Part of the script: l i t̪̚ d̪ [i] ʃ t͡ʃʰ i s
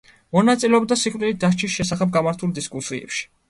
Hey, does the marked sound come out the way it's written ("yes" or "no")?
no